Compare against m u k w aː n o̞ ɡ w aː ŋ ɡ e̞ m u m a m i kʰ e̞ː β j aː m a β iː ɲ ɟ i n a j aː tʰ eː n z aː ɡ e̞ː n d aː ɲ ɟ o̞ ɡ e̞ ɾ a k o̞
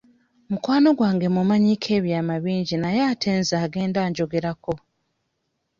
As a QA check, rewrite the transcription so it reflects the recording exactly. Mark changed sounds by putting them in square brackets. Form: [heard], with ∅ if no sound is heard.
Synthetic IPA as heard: m u k w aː n o̞ ɡ w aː ŋ ɡ e̞ m u m a [ɲ] i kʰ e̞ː β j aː m a β iː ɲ ɟ i n a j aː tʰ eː n z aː ɡ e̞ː n d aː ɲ ɟ o̞ ɡ e̞ ɾ a k o̞